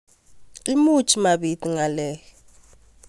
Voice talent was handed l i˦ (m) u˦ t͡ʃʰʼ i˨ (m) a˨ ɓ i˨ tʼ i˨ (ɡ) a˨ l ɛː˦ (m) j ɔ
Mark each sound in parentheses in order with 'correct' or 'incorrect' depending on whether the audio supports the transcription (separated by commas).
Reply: correct, correct, incorrect, incorrect